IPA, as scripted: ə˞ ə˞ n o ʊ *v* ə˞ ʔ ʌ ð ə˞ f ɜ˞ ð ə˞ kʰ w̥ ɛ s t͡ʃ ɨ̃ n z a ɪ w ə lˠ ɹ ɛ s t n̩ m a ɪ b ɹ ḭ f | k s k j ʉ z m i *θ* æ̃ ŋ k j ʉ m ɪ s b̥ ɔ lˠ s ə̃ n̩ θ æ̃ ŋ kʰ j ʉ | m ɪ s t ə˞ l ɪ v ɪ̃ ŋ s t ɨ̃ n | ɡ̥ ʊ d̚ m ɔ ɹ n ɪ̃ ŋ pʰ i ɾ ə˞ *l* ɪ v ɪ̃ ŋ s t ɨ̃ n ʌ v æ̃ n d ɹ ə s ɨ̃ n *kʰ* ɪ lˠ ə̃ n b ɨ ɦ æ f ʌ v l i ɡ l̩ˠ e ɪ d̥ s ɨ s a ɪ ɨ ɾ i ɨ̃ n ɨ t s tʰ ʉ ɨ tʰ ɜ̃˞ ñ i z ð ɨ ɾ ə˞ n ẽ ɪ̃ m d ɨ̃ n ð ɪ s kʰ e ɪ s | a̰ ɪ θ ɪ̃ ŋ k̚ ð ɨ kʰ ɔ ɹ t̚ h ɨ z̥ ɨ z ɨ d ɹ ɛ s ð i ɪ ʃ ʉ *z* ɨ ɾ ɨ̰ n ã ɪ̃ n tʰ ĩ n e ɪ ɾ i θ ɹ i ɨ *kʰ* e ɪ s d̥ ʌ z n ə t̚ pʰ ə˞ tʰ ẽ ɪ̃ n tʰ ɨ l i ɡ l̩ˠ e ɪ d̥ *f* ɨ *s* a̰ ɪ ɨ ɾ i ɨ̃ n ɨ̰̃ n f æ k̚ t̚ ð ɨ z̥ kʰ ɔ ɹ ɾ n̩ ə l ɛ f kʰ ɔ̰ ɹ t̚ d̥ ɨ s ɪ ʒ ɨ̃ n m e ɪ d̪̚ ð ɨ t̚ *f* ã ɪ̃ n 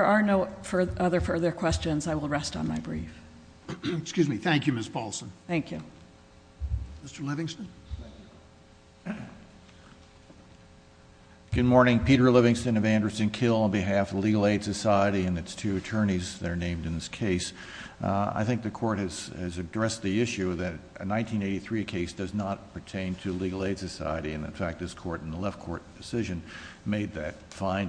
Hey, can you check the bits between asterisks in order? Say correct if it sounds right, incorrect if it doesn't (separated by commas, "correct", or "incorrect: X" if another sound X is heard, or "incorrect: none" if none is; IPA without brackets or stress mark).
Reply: incorrect: f, correct, correct, correct, incorrect: ð, correct, incorrect: s, correct, correct